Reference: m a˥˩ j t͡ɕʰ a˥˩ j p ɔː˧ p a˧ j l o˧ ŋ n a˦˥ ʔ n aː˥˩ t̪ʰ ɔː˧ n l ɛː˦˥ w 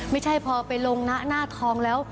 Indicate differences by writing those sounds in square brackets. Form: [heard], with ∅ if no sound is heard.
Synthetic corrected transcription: m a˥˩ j t͡ɕʰ a˥˩ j [pʰ] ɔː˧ p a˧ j l o˧ ŋ n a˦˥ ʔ n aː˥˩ t̪ʰ ɔː˧ [ŋ] l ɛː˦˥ w